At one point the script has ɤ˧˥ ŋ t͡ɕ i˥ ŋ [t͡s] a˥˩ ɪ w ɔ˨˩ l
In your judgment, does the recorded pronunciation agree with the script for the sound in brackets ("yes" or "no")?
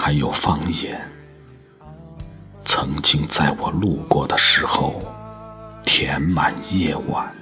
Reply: yes